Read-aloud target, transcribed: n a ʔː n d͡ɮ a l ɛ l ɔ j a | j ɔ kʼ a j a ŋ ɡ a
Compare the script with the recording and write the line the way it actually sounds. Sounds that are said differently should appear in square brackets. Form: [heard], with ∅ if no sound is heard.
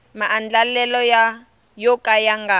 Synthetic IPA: [m] a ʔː n d͡ɮ a l ɛ l ɔ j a | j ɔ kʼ a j a ŋ ɡ a